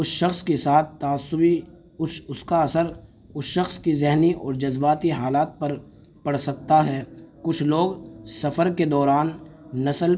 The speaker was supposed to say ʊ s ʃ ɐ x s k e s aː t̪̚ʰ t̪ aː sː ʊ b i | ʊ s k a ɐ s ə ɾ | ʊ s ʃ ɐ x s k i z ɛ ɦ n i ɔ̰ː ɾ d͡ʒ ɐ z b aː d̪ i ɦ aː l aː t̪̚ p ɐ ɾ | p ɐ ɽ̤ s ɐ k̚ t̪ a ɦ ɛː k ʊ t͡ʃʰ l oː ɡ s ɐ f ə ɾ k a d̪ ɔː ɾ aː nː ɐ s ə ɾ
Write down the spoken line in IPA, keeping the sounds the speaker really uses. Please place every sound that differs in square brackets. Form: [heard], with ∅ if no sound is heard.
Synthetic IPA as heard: ʊ s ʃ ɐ x s k e s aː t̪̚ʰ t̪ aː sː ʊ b i | ʊ s k a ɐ s ə ɾ | ʊ s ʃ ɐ x s k i z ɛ ɦ n i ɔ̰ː ɾ d͡ʒ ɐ z b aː [t̪] i ɦ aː l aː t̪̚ p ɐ ɾ | p ɐ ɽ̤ s ɐ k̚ t̪ a ɦ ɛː k ʊ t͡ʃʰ l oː ɡ s ɐ f ə ɾ k [e] d̪ ɔː ɾ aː nː ɐ s ə [l]

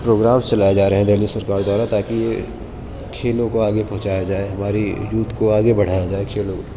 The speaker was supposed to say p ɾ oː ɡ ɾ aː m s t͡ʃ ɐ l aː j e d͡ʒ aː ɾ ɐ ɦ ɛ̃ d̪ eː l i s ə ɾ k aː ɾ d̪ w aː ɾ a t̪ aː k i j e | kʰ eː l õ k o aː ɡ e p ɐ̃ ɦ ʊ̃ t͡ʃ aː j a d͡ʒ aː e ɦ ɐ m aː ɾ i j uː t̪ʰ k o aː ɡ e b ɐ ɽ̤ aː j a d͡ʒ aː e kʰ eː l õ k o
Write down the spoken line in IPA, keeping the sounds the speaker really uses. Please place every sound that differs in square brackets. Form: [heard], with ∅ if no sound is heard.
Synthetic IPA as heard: p ɾ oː ɡ ɾ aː m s t͡ʃ ɐ l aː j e d͡ʒ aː ɾ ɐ ɦ ɛ̃ d̪ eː l i s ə ɾ k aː ɾ d̪ w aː ɾ a t̪ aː k i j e | kʰ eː l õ k o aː ɡ e p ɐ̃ ɦ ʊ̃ t͡ʃ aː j a d͡ʒ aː e ɦ ɐ m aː ɾ i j uː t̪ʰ k o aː ɡ e b ɐ ɽ̤ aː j a d͡ʒ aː e kʰ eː l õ k o

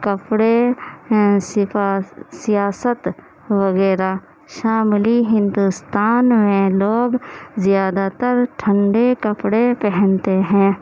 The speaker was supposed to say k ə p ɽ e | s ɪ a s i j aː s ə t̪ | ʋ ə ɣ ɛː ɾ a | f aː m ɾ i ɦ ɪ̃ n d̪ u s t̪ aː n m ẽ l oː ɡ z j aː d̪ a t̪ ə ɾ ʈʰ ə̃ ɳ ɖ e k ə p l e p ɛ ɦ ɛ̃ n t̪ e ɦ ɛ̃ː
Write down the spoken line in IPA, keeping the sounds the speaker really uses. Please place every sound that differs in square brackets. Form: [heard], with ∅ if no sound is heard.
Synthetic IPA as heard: k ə p ɽ e | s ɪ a s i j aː s ə t̪ | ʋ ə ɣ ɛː ɾ a | [ʃ] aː m [l] i ɦ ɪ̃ n d̪ u s t̪ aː n m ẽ l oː ɡ z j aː d̪ a t̪ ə ɾ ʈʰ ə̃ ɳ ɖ e k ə p [ɽ] e p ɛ ɦ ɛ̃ n t̪ e ɦ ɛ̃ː

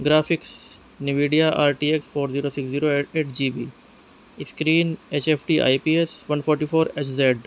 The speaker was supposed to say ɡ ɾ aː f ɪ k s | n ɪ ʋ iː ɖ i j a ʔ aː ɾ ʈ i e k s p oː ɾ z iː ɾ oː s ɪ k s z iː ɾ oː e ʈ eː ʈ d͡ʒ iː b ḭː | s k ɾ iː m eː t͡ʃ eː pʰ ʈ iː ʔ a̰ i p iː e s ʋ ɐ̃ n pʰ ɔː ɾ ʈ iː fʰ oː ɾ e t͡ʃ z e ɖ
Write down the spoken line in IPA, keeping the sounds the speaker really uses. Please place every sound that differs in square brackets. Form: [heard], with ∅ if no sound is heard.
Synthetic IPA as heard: ɡ ɾ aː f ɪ k s | n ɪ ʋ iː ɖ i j a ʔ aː ɾ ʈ i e k s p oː ɾ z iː ɾ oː s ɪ k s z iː ɾ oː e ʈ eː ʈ d͡ʒ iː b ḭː | s k ɾ iː [n] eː t͡ʃ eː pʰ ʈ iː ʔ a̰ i p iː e s ʋ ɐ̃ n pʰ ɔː ɾ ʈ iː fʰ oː ɾ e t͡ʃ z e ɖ

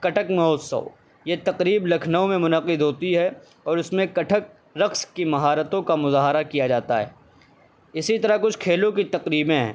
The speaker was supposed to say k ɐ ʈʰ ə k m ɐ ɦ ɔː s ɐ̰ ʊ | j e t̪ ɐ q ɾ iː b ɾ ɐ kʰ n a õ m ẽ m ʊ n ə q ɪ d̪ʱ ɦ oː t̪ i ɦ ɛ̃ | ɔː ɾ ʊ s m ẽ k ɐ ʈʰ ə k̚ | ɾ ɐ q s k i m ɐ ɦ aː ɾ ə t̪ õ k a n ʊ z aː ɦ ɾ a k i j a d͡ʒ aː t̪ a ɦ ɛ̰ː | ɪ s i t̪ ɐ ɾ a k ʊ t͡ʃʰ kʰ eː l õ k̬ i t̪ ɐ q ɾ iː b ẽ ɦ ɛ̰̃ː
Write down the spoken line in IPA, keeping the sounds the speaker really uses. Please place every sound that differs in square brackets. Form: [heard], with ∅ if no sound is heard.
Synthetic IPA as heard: k ɐ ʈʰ ə k m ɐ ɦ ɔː s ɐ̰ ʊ | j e t̪ ɐ q ɾ iː b [l] ɐ kʰ n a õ m ẽ m ʊ n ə q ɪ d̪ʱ ɦ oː t̪ i ɦ [ɛ] | ɔː ɾ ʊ s m ẽ k ɐ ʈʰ ə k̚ | ɾ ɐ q s k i m ɐ ɦ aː ɾ ə t̪ õ k a [m] ʊ z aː ɦ ɾ a k i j a d͡ʒ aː t̪ a ɦ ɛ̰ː | ɪ s i t̪ ɐ ɾ a k ʊ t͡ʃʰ kʰ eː l õ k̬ i t̪ ɐ q ɾ iː b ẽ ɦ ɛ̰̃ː

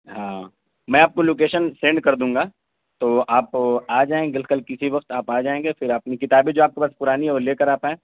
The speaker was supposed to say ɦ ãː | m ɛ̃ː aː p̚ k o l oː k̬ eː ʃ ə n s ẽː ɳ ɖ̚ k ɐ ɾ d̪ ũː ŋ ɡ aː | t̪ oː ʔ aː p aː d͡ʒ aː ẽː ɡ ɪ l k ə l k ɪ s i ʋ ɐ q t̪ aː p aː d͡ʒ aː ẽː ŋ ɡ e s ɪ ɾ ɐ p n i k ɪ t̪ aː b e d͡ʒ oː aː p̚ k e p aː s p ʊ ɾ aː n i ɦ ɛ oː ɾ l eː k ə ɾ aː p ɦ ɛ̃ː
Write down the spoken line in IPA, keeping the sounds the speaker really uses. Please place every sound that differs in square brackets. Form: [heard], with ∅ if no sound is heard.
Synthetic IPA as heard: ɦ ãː | m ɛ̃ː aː p̚ k o l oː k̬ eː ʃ ə n s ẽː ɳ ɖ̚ k ɐ ɾ d̪ ũː ŋ ɡ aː | t̪ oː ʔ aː p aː d͡ʒ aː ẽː ɡ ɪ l k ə l k ɪ s i ʋ ɐ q t̪ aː p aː d͡ʒ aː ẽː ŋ ɡ e [f] ɪ ɾ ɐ p n i k ɪ t̪ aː b e d͡ʒ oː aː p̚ k e p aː s p ʊ ɾ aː n i ɦ ɛ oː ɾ l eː k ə ɾ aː p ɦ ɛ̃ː

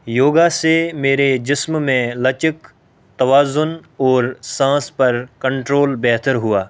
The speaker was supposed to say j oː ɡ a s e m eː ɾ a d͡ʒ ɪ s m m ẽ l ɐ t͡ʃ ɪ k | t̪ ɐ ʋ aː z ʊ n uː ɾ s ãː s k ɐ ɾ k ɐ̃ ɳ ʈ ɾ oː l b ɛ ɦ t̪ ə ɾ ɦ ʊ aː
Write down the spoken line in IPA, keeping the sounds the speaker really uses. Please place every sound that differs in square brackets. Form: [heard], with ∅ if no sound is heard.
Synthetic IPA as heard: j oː ɡ a s e m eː ɾ [e] d͡ʒ ɪ s m m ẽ l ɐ t͡ʃ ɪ k | t̪ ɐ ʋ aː z ʊ n [ɔː] ɾ s ãː s [p] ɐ ɾ k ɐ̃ ɳ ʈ ɾ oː l b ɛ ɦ t̪ ə ɾ ɦ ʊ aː

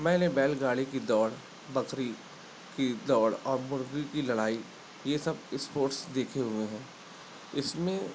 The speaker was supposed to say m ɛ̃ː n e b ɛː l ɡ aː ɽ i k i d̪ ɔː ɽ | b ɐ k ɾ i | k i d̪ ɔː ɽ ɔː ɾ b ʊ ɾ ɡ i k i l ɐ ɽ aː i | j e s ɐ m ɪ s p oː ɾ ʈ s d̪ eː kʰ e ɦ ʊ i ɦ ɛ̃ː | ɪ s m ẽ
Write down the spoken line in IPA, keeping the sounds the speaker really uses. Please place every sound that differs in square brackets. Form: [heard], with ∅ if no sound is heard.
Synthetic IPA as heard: m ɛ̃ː n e b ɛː l ɡ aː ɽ i k i d̪ ɔː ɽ | b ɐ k ɾ i | k i d̪ ɔː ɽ ɔː ɾ [m] ʊ ɾ ɡ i k i l ɐ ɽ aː i | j e s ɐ [b] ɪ s p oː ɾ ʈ s d̪ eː kʰ e ɦ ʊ [e] ɦ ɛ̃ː | ɪ s m ẽ

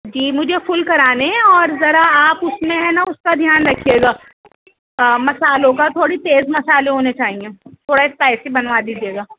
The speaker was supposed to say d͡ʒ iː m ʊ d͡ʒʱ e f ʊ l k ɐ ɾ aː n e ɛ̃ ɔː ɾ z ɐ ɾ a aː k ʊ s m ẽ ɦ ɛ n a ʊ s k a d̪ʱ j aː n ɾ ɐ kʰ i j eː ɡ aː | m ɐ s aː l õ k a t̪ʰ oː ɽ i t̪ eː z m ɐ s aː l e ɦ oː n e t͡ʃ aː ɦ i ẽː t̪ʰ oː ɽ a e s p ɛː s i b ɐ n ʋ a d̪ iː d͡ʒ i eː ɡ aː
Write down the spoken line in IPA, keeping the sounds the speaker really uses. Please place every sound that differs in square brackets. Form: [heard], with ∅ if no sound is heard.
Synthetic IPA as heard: d͡ʒ iː m ʊ d͡ʒʱ e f ʊ l k ɐ ɾ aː n e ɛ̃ ɔː ɾ z ɐ ɾ a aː [p] ʊ s m ẽ ɦ ɛ n a ʊ s k a d̪ʱ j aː n ɾ ɐ kʰ i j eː ɡ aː | m ɐ s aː l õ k a t̪ʰ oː ɽ i t̪ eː z m ɐ s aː l e ɦ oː n e t͡ʃ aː ɦ i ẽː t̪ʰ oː ɽ a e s p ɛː s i b ɐ n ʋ a d̪ iː d͡ʒ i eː ɡ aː

